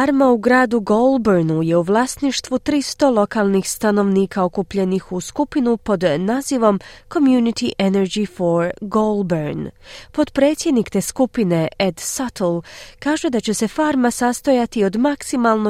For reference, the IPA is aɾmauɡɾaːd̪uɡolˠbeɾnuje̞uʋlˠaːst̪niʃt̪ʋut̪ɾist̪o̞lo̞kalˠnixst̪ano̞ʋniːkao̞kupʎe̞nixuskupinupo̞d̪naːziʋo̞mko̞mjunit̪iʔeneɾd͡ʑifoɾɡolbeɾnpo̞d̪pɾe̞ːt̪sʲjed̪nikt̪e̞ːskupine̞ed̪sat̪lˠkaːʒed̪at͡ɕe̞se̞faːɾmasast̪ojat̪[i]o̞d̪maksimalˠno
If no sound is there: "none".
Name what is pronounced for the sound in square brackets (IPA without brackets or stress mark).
i